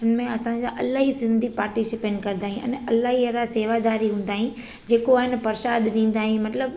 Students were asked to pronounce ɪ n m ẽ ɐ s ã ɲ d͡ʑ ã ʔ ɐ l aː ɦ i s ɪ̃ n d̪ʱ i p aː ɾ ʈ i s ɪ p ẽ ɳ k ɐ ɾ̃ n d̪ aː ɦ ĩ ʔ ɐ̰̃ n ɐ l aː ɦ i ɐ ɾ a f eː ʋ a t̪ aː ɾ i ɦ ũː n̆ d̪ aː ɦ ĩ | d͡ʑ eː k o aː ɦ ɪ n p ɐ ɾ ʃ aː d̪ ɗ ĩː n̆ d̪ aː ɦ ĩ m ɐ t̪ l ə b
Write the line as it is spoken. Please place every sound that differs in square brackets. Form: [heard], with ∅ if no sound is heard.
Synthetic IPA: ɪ n m ẽ ɐ s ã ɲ d͡ʑ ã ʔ ɐ l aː ɦ i s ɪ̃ n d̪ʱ i p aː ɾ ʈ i s ɪ p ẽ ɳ k ɐ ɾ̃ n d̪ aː ɦ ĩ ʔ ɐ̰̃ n ɐ l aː ɦ i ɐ ɾ a [s] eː ʋ a [d̪] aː ɾ i ɦ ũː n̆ d̪ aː ɦ ĩ | d͡ʑ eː k o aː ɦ ɪ n p ɐ ɾ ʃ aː d̪ ɗ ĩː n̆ d̪ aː ɦ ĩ m ɐ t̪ l ə b